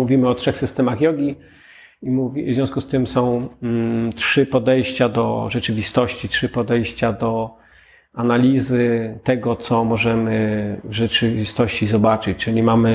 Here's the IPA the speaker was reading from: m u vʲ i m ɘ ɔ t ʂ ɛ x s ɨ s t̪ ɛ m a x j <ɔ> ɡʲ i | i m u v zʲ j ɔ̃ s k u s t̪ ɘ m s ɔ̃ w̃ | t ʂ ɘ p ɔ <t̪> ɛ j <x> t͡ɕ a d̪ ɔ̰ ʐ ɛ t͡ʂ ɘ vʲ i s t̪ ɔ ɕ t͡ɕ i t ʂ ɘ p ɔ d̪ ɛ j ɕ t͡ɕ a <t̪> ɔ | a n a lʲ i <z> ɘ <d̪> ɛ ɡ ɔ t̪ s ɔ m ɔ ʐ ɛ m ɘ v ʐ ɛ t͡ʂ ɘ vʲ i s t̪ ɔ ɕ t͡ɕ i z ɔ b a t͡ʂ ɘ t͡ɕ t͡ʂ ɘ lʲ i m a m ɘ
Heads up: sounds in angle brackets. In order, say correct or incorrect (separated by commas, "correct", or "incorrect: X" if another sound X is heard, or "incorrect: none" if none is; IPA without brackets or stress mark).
correct, incorrect: d̪, incorrect: ɕ, incorrect: d̪, correct, incorrect: t̪